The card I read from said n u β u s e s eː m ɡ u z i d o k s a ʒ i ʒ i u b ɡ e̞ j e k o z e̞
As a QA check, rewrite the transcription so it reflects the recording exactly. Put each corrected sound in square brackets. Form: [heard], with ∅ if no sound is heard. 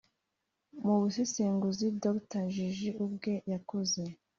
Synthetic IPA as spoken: [m] u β u s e s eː [ŋ] ɡ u z i d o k [t] a ʒ i ʒ i u b ɡ e̞ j [a] k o z e̞